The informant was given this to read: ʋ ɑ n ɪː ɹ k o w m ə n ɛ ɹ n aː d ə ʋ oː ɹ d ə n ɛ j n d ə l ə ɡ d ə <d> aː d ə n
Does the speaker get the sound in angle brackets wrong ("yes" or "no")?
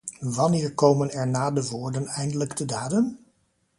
no